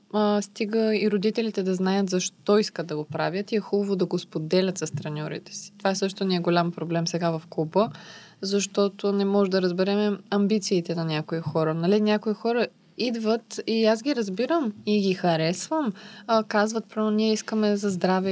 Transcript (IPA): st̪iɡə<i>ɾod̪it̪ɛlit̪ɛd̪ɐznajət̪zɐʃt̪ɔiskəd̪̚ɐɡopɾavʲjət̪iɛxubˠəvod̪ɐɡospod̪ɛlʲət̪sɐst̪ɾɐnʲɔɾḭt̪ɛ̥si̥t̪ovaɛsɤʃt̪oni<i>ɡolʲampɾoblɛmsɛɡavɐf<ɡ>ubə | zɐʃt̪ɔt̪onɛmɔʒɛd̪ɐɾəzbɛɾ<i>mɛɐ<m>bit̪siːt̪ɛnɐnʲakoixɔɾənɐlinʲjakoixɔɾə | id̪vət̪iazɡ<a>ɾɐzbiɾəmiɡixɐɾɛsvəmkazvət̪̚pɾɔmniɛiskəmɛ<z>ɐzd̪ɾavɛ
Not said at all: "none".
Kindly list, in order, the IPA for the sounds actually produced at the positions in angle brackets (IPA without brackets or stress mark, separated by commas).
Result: i, ɛ, k, ɛ, m, i, z